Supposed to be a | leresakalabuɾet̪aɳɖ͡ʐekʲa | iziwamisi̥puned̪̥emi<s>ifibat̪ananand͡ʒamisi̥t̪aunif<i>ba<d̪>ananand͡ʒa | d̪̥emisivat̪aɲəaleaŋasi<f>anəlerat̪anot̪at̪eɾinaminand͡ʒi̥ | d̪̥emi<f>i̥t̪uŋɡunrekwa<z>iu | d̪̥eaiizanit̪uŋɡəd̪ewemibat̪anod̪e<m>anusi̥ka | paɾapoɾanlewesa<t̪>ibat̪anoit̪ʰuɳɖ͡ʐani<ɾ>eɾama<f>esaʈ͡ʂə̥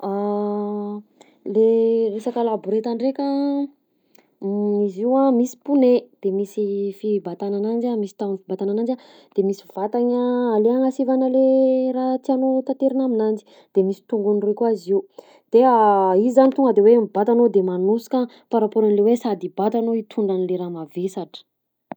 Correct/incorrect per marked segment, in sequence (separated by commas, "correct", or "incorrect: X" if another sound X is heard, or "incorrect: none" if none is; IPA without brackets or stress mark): correct, correct, incorrect: t̪, incorrect: v, incorrect: s, correct, correct, incorrect: d̪, incorrect: l, incorrect: v